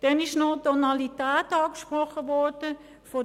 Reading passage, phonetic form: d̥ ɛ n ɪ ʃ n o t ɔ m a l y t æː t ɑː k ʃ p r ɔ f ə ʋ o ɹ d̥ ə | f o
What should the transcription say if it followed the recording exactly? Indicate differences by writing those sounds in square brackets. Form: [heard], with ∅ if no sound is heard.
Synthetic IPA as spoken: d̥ ɛ n ɪ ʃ n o t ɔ [n] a l [i] t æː t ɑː k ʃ p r ɔ [χ] ə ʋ [ɔ] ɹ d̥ ə | f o